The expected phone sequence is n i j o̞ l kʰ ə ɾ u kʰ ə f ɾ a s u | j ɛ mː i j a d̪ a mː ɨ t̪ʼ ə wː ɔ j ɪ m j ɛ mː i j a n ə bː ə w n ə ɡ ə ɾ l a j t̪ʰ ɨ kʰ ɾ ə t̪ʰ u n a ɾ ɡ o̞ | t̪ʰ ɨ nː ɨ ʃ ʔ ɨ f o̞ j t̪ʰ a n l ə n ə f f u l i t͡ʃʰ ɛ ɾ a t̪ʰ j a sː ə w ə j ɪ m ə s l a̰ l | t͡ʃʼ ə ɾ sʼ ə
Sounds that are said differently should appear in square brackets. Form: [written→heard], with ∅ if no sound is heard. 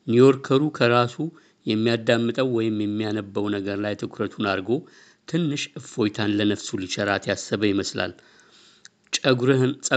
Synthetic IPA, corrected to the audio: n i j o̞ [l→ɾ] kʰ ə ɾ u kʰ ə [f→∅] ɾ a s u | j ɛ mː i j a d̪ a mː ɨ t̪ʼ ə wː ɔ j ɪ m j ɛ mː i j a n ə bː ə w n ə ɡ ə ɾ l a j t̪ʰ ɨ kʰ ɾ ə t̪ʰ u n a ɾ ɡ o̞ | t̪ʰ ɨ nː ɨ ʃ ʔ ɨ f o̞ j t̪ʰ a n l ə n ə f [f→s] u l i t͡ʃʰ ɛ ɾ a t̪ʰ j a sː ə [w→β] ə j ɪ m ə s l a̰ l | t͡ʃʼ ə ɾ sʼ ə